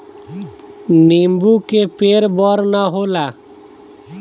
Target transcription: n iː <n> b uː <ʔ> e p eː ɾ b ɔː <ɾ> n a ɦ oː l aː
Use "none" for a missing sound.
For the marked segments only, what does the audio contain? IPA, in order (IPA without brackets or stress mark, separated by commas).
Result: m, k, ɾ